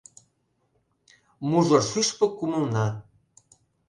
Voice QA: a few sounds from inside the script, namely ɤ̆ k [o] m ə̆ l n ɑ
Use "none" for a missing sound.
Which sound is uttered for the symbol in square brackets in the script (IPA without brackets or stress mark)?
u